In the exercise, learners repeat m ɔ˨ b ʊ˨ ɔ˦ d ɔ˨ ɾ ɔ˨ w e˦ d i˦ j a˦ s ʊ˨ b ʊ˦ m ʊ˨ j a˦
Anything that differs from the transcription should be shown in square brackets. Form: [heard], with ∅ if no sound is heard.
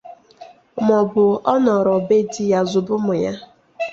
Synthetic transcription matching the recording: m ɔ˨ b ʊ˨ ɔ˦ [n] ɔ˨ ɾ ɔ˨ [b] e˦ d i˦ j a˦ [z] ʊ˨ b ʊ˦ m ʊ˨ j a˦